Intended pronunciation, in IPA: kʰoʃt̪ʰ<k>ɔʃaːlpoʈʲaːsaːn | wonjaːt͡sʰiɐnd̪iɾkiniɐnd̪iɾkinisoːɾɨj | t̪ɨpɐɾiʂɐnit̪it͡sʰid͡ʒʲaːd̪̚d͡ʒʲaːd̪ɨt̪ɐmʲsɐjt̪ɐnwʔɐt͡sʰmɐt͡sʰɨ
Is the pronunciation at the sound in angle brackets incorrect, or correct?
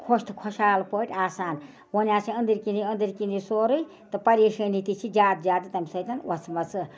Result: incorrect